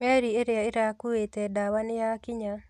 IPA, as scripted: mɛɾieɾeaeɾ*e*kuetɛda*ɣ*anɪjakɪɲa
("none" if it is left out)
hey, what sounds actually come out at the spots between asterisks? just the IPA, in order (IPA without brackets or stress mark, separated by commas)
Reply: a, w